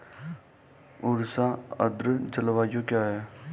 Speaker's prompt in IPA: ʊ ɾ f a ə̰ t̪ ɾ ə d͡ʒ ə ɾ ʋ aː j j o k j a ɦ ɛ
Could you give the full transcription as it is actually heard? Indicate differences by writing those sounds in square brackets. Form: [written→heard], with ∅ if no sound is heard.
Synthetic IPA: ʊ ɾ [f→s] a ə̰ [t̪→d̪] ɾ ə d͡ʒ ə [ɾ→l] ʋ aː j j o k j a ɦ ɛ